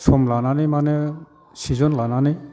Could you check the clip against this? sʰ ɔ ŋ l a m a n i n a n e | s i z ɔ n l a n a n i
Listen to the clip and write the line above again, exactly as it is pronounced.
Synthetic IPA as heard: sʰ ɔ m l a n a n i m a n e | s i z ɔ n l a n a n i